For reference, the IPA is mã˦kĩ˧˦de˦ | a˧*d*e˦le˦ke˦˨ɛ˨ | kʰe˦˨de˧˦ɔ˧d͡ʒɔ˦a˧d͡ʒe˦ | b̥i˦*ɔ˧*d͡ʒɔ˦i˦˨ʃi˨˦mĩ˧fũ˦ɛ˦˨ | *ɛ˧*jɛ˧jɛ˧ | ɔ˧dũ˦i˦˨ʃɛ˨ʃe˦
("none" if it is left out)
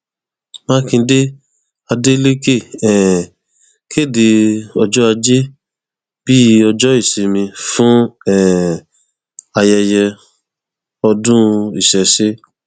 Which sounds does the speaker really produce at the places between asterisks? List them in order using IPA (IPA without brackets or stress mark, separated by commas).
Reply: d, ɔ˧, a˧